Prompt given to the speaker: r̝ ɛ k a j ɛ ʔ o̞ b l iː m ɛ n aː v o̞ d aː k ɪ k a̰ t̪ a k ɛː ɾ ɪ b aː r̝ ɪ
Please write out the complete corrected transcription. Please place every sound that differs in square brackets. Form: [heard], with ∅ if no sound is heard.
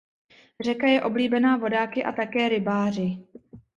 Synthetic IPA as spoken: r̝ ɛ k a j ɛ ʔ o̞ b l iː [b] ɛ n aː v o̞ d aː k ɪ [ʔ] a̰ t̪ a k ɛː ɾ ɪ b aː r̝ ɪ